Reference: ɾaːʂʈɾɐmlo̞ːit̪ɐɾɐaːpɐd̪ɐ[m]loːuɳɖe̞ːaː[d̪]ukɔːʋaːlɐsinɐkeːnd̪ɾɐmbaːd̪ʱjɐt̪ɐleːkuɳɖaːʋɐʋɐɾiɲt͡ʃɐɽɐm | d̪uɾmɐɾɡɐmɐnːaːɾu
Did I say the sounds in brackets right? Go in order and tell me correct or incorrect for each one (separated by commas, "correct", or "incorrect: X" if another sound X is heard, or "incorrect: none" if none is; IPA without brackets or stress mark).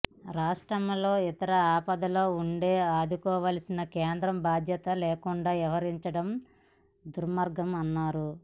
incorrect: none, correct